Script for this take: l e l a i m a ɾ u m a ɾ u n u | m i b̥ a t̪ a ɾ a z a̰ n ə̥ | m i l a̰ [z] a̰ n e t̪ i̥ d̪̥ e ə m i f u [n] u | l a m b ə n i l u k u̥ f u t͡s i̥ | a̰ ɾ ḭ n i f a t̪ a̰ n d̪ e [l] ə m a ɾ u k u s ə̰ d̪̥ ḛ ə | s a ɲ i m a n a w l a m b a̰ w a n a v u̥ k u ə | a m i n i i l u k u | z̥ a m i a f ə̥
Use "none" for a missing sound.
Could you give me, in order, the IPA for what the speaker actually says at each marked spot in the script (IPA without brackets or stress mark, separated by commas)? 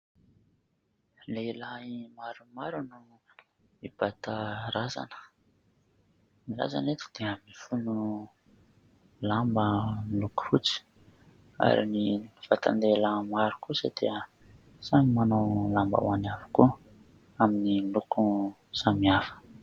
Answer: z, n, l